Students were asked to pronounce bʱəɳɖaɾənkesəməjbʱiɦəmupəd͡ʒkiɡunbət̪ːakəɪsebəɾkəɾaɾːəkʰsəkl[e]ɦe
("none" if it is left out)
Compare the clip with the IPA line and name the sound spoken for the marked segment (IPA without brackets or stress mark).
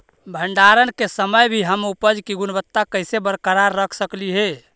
i